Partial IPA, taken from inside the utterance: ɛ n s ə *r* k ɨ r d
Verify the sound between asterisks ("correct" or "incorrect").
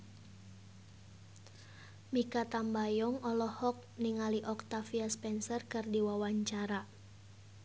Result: correct